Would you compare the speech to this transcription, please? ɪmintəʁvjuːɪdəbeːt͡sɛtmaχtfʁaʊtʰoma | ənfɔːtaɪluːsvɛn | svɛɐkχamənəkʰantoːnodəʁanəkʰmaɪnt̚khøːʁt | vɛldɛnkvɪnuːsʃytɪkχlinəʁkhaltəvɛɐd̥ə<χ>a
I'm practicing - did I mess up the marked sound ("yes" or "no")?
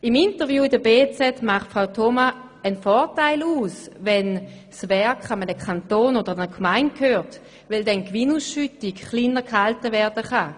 no